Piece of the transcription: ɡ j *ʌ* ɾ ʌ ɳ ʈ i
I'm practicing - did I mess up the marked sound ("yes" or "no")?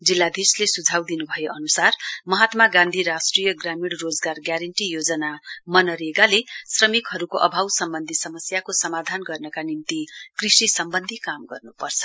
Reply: yes